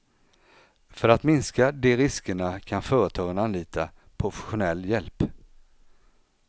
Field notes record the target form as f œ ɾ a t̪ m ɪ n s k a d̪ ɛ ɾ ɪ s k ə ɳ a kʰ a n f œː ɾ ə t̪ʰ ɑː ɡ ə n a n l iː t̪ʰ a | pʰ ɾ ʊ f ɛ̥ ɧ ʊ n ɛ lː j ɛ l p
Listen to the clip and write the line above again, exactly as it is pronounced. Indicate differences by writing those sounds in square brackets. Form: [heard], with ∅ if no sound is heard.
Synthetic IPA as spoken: f œ ɾ a t̪ m ɪ n s k a d̪ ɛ ɾ ɪ s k ə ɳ a kʰ a n f œː ɾ ə t̪ʰ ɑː ɡ ə n a n l iː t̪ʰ a | pʰ ɾ ʊ f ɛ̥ ɧ ʊ n ɛ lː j ɛ l p